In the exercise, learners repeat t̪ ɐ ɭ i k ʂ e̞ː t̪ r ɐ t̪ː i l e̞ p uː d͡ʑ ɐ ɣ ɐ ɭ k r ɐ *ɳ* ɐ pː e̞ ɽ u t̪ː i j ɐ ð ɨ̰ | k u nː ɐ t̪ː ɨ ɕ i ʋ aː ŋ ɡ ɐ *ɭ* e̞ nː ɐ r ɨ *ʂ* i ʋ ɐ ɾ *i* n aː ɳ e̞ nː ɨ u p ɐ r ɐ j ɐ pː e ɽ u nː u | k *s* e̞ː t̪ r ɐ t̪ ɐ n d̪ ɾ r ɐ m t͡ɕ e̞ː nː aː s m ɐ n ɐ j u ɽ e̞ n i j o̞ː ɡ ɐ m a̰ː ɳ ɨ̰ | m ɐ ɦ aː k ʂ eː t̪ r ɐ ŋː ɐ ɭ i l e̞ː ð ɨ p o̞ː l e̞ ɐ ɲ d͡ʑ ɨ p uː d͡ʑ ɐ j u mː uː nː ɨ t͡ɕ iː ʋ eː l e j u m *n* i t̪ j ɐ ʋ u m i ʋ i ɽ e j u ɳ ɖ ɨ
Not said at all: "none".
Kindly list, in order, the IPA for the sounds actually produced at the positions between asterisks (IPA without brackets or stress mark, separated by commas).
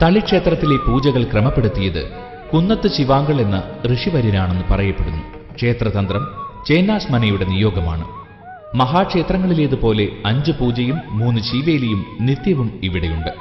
m, ɭ, ʂ, i, ʂ, n